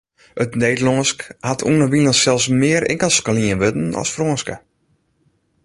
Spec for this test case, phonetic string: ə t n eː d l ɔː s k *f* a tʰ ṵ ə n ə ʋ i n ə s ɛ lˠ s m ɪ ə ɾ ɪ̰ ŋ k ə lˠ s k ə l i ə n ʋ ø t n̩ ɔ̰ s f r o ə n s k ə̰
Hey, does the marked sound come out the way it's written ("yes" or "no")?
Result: no